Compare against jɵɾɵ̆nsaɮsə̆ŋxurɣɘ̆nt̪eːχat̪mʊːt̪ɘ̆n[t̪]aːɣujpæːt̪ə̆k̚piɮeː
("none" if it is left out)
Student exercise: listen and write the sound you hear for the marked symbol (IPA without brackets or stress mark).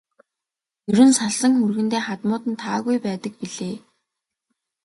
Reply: t̪ʰ